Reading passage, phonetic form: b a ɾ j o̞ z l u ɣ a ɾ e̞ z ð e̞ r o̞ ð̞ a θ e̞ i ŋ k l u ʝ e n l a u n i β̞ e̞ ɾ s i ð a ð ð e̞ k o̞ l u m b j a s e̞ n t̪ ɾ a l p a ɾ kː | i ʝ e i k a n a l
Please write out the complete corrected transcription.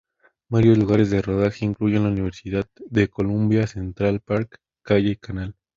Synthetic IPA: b a ɾ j o̞ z l u ɣ a ɾ e̞ z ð e̞ r o̞ ð̞ a x e̞ i ŋ k l u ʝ e n l a u n i β̞ e̞ ɾ s i ð a ð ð e̞ k o̞ l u m b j a s e̞ n t̪ ɾ a l p a ɾ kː | a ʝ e i k a n a l